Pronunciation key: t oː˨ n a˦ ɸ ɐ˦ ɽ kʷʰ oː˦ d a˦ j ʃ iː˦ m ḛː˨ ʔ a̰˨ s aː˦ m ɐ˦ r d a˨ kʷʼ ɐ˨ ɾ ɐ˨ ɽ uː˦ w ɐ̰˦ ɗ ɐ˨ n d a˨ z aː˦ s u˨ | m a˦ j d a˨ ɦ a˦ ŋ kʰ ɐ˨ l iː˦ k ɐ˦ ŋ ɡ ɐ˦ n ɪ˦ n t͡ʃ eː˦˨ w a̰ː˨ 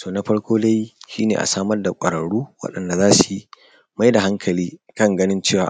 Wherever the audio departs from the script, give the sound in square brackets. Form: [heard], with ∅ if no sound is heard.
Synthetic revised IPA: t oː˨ n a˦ ɸ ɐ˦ ɽ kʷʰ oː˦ d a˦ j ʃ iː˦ [n] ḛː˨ ʔ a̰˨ s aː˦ m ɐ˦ r d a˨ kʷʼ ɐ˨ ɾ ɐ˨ ɽ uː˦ w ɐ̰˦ ɗ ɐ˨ n d a˨ z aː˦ s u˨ | m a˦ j d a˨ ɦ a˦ ŋ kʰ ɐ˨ l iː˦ k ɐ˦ ŋ ɡ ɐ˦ n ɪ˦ n t͡ʃ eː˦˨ w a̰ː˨